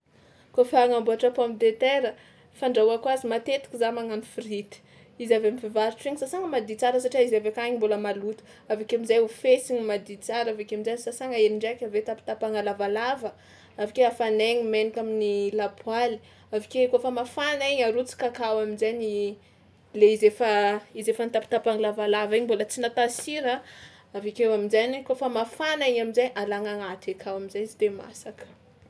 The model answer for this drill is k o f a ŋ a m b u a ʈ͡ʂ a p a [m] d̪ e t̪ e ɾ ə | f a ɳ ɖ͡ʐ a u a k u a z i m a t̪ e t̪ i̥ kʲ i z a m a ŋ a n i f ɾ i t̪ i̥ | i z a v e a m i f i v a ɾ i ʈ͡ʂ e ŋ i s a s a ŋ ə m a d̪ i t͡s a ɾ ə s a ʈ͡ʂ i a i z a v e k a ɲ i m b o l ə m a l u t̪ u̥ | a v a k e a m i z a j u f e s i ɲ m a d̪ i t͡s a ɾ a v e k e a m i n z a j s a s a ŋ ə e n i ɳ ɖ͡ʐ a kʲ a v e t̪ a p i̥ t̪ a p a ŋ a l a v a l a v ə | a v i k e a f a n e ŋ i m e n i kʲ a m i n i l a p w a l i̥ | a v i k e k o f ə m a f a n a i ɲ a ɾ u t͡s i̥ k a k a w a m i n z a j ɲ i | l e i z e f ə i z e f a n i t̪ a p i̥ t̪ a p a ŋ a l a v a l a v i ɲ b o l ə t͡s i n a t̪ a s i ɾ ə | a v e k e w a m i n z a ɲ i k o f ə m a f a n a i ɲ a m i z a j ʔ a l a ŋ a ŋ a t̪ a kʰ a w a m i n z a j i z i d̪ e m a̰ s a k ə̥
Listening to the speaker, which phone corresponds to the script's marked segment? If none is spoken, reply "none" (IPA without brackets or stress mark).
m